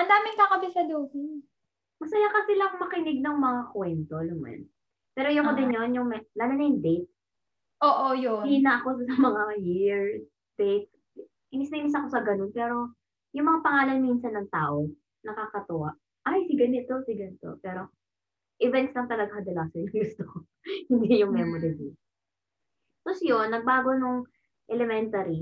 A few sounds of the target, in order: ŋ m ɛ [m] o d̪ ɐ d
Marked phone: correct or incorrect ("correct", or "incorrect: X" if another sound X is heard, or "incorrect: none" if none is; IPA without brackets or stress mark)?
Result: correct